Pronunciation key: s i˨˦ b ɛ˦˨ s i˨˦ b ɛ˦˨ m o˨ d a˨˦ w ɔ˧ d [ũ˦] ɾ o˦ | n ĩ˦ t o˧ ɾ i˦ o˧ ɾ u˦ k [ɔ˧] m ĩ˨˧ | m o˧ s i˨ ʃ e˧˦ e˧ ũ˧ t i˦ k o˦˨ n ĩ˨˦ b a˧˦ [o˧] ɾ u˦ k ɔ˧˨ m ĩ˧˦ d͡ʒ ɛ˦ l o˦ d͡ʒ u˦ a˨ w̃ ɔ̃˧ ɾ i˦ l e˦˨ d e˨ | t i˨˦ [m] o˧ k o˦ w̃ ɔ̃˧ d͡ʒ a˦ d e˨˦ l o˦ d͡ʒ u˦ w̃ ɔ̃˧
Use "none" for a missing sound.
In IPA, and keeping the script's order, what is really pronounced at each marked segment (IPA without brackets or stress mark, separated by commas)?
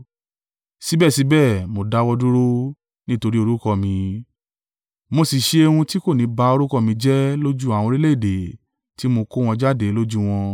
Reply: u˦, ɔ˧, o˧, m